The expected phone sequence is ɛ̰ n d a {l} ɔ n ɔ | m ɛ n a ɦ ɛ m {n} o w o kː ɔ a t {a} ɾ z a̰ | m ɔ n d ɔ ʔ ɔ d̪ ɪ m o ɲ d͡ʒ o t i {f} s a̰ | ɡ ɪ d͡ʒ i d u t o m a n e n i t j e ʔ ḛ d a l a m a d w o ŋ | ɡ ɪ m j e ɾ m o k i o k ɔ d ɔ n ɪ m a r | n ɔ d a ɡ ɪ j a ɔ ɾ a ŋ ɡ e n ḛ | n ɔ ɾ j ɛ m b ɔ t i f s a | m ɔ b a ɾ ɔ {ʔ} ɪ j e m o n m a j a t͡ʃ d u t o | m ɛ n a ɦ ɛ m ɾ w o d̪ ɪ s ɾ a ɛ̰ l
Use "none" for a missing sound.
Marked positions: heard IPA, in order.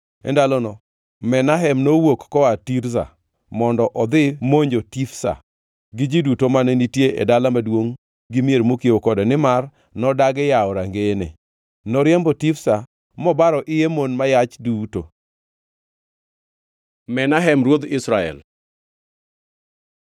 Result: l, n, i, f, ʔ

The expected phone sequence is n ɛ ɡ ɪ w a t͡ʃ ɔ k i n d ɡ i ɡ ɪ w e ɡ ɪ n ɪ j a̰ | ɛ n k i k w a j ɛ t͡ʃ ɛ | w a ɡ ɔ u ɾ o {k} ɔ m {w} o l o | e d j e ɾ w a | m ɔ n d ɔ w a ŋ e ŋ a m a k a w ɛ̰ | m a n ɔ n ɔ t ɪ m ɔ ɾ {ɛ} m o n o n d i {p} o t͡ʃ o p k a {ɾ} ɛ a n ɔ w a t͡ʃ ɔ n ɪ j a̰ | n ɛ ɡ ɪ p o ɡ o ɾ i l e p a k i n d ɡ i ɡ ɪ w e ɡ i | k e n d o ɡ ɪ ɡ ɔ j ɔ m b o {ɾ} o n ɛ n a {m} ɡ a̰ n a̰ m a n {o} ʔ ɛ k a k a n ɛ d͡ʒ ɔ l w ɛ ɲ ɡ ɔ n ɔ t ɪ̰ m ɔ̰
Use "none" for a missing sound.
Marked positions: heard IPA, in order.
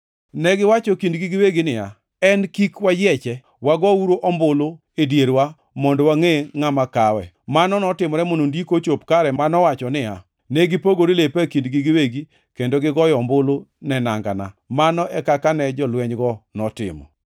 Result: ʔ, b, ɛ, k, ɾ, l, ŋ, ɔ

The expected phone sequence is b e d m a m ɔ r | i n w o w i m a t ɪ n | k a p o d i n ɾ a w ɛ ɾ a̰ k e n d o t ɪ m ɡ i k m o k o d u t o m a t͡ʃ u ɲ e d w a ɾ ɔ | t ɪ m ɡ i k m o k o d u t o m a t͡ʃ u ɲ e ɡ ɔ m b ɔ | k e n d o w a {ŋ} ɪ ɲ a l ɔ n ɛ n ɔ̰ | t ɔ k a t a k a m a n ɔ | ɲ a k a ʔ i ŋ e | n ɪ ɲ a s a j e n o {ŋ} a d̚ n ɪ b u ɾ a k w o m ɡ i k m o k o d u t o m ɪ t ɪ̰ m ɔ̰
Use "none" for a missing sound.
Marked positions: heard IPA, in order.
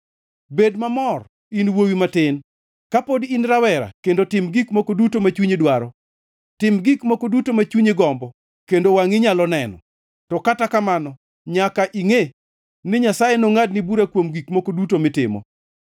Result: ŋ, ŋ

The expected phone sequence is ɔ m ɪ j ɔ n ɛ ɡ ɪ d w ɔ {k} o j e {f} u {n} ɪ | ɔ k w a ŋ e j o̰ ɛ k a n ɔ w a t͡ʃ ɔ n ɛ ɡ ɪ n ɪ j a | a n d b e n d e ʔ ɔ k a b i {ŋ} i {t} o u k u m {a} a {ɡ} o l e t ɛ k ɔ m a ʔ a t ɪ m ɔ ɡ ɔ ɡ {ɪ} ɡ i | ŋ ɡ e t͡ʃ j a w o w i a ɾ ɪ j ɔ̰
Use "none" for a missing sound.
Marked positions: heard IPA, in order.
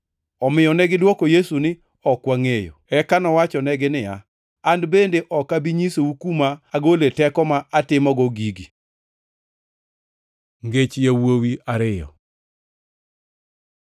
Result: k, s, n, ɲ, s, a, ɡ, i

